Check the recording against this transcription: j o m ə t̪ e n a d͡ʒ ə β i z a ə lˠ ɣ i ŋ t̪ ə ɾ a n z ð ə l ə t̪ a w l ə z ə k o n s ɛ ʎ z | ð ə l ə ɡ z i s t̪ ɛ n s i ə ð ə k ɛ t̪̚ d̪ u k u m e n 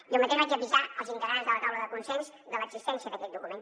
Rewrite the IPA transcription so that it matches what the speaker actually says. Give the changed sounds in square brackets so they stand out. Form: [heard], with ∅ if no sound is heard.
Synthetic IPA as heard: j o m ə t̪ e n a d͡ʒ ə β i z a ə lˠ [z] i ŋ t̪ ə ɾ a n z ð ə l ə t̪ a w l ə [ð] ə k [u] n s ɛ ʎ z | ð ə l ə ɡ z i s t̪ ɛ n s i ə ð ə k ɛ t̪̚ d̪ u k u m e n

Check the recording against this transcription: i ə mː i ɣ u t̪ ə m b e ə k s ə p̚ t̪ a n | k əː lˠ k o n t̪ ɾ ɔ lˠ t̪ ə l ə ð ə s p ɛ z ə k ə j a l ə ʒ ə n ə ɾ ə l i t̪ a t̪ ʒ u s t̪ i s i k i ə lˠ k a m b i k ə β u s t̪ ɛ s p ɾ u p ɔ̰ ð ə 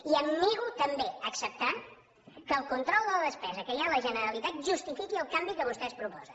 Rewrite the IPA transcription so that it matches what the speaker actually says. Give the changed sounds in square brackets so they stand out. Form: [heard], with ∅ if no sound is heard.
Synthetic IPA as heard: i ə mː i ɣ u t̪ ə m b e ə k s ə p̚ t̪ a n | k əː lˠ k [u] n t̪ ɾ ɔ lˠ [d̪] ə l ə ð ə s p ɛ z ə k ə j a l ə ʒ ə n ə ɾ ə l i t̪ a t̪ ʒ u s t̪ i [f] i k i ə lˠ k a m b i k ə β u s t̪ ɛ s p ɾ u p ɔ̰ [z] ə

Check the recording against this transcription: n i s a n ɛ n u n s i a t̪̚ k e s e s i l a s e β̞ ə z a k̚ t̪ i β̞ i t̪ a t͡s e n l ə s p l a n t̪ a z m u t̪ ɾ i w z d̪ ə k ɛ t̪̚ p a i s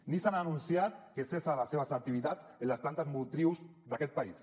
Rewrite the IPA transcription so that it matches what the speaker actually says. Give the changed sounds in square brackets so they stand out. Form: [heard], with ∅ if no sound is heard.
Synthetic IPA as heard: n i s a n [a] n u n s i a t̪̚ k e s e s [a] l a s e β̞ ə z a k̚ t̪ i β̞ i t̪ a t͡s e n l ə s p l a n t̪ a z m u t̪ ɾ i w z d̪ [a] k ɛ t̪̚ p a i s

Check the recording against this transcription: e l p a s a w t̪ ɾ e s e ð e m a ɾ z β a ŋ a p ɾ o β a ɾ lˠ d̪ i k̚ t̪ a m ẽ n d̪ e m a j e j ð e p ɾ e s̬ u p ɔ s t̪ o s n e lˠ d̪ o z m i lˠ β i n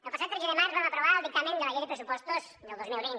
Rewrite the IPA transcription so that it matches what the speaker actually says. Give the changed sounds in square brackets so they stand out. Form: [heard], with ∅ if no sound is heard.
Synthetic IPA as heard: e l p a s a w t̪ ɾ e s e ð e m a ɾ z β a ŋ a p ɾ o β a ɾ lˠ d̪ i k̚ t̪ a m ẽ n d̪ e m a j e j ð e p ɾ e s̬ u p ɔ s t̪ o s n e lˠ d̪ o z m i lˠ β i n

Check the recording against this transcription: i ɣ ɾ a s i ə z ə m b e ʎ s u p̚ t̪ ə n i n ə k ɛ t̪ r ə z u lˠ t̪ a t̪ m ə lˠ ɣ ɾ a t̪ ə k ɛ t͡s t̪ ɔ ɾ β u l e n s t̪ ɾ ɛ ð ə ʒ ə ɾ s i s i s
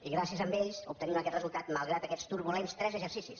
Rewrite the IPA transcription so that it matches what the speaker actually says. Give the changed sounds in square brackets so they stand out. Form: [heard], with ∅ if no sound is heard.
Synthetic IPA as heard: i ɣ ɾ a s i ə z ə m b e ʎ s u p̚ t̪ ə n i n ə k ɛ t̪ r ə z u lˠ t̪ a t̪ m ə lˠ ɣ ɾ a t̪ ə k ɛ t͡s t̪ [u] ɾ β u l e n s t̪ ɾ ɛ [z] ə ʒ ə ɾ s i s i s

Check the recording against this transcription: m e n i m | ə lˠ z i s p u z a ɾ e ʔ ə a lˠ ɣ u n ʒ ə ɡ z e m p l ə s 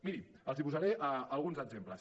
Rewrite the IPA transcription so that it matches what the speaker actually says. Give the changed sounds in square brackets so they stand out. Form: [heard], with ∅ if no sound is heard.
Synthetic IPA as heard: m [i] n i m | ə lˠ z i [∅] p u z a ɾ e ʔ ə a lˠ ɣ u n [z] ə ɡ z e m p l ə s

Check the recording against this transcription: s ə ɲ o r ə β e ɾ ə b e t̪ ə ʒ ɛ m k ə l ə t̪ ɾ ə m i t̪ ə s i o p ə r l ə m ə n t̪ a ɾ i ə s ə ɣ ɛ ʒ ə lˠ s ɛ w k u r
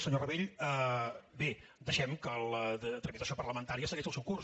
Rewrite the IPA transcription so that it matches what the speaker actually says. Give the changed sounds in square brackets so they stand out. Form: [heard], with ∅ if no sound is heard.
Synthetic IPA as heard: s ə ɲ o r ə β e [ʎ] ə b e [d̪] ə [ʃ] ɛ m k ə l ə t̪ ɾ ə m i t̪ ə s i o p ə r l ə m ə n t̪ a ɾ i ə s ə ɣ ɛ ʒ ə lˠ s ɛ w k u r

